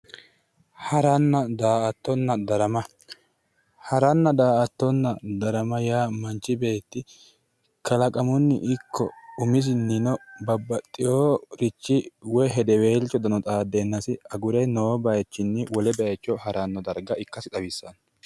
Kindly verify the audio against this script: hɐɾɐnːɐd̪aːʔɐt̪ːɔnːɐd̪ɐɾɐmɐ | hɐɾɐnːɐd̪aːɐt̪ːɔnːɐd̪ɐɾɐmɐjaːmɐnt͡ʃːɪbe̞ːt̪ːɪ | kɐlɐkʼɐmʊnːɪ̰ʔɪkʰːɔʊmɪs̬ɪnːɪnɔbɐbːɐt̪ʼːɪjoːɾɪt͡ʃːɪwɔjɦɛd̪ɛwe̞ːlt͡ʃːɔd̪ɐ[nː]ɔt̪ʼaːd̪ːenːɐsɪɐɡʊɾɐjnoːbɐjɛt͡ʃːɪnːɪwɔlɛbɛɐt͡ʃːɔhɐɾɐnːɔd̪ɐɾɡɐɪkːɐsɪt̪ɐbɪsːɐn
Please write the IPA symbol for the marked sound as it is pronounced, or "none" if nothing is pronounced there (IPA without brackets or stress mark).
n